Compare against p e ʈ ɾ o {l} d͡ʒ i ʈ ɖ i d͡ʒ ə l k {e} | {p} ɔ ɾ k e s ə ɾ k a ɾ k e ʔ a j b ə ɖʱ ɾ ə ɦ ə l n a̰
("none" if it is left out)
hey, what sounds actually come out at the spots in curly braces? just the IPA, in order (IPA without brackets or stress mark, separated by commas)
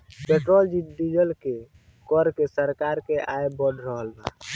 l, e, k